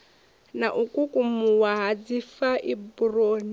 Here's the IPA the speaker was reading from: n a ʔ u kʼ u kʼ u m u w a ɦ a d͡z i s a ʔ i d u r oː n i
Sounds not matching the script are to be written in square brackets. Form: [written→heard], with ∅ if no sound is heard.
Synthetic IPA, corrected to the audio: n a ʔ u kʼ u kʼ u m u w a ɦ a d͡z i [s→f] a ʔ i [d→b] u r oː n i